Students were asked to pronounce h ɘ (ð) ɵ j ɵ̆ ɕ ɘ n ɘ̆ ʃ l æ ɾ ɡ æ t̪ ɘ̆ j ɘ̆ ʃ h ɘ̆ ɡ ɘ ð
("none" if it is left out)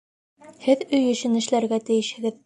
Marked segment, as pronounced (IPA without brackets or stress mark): ð